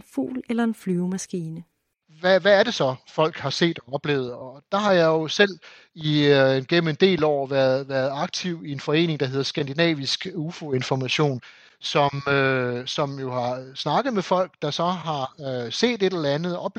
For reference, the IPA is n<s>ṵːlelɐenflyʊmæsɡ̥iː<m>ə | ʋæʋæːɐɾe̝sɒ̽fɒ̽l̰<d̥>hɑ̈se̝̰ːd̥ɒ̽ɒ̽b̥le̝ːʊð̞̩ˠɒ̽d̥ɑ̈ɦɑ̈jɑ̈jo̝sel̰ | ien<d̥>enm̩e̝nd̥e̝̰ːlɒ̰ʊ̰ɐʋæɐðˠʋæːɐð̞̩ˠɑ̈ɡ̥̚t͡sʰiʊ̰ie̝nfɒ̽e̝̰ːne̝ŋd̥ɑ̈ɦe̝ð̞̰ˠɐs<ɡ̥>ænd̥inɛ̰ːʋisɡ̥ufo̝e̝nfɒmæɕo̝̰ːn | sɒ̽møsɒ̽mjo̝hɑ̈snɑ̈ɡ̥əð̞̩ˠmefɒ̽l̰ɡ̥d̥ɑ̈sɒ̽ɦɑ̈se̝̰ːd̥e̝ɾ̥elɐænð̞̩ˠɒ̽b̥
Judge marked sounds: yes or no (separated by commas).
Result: no, no, no, no, yes